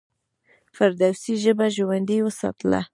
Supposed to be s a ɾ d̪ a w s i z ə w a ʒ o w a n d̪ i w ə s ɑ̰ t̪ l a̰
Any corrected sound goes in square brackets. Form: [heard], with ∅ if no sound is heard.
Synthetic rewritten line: [f] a ɾ d̪ a w s i [ʒ] ə [b] a ʒ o w a n d̪ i w ə s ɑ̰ t̪ l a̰